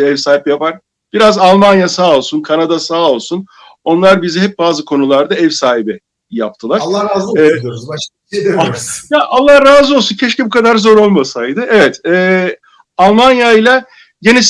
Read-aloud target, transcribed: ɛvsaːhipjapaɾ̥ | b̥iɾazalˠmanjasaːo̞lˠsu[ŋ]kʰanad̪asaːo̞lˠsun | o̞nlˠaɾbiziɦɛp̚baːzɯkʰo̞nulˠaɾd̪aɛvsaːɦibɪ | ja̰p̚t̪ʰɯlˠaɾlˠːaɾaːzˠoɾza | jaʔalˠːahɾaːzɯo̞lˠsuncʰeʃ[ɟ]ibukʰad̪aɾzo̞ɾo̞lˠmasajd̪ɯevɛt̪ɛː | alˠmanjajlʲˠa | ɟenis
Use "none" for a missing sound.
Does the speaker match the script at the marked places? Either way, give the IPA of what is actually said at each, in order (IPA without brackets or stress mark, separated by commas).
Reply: n, c